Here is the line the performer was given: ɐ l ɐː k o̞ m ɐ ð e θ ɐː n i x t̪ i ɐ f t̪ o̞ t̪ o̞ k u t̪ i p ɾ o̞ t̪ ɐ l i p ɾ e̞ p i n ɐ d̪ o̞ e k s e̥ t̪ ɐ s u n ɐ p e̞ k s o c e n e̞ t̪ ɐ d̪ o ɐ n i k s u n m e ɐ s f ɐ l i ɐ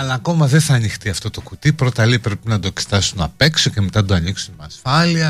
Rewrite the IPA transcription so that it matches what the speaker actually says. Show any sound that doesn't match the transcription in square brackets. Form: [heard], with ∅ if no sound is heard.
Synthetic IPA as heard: ɐ l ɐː k o̞ m ɐ ð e θ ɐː n i x t̪ i ɐ f t̪ o̞ t̪ o̞ k u t̪ i p ɾ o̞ t̪ ɐ l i p ɾ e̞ p i n ɐ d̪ o̞ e k s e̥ t̪ ɐ s u n ɐ p e̞ k s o c e [m] e̞ t̪ ɐ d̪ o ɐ n i k s u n m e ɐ s f ɐ l i ɐ